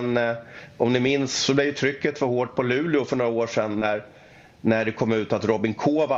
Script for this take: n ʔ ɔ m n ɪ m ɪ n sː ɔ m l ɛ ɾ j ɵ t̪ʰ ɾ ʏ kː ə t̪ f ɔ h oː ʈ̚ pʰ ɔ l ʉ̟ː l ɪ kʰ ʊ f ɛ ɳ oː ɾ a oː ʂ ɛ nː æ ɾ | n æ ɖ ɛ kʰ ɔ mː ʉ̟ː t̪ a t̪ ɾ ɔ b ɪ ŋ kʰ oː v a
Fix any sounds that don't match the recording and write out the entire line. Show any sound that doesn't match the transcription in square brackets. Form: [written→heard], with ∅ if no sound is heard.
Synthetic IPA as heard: n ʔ ɔ m n ɪ m ɪ n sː ɔ [m→b] l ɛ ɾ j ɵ t̪ʰ ɾ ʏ kː ə t̪ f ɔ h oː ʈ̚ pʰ ɔ l ʉ̟ː l ɪ [kʰ→∅] ʊ f [ɛ→œ] ɳ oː ɾ a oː ʂ ɛ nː æ ɾ | n æ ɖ ɛ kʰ ɔ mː ʉ̟ː t̪ a t̪ ɾ ɔ b ɪ ŋ kʰ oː v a